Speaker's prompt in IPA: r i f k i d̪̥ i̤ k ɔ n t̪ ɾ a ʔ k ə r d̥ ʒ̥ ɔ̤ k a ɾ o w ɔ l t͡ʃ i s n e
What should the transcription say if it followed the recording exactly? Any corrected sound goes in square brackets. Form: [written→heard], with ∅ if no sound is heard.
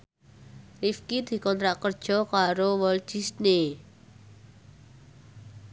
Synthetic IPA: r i f k i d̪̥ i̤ k ɔ n t̪ ɾ a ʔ k ə r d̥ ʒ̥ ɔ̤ k a ɾ o w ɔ l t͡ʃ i s n e